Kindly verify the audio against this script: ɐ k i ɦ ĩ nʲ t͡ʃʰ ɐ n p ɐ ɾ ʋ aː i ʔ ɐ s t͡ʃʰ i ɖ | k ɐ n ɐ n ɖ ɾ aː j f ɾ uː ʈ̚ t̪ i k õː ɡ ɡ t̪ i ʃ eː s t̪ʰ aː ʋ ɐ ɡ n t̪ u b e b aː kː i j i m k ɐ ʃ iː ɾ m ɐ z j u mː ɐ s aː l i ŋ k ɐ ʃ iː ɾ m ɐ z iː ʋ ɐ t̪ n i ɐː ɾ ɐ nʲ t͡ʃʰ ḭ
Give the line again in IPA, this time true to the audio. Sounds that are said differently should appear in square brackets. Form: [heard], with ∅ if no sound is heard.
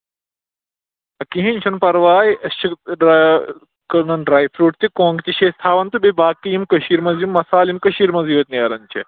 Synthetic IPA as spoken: ɐ k i ɦ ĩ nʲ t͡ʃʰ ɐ n p ɐ ɾ ʋ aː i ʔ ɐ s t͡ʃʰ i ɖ | k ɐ n ɐ n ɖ ɾ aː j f ɾ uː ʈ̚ t̪ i k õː [ŋ] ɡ t̪ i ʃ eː s t̪ʰ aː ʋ ɐ [∅] n t̪ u b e b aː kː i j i m k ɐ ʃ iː ɾ m ɐ z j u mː ɐ s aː l i [m] k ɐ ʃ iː ɾ m ɐ z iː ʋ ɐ t̪ n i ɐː ɾ ɐ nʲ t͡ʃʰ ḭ